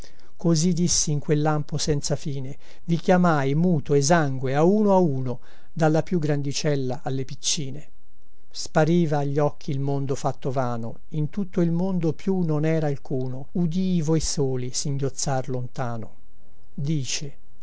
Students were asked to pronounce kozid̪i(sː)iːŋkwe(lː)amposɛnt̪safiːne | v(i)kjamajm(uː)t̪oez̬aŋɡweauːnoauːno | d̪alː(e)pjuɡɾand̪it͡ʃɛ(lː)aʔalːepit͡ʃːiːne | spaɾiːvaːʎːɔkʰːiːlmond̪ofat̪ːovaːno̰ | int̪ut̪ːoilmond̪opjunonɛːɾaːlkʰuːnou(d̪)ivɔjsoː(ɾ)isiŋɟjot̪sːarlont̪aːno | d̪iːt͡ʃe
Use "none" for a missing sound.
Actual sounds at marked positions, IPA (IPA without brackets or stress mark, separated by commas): sː, lː, i, uː, a, lː, d̪, l